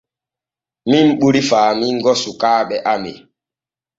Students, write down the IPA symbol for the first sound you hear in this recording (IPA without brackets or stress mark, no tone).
m